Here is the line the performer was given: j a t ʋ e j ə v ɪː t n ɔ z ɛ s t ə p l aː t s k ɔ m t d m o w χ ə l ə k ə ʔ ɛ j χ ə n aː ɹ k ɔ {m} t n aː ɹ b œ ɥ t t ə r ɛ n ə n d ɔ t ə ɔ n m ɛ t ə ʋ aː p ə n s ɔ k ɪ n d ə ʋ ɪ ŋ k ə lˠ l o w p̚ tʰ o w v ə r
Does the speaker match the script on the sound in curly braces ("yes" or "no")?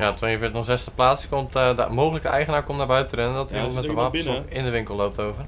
yes